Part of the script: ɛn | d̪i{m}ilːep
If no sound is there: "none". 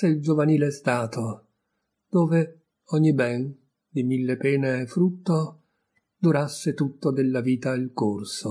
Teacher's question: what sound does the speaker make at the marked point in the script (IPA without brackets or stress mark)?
m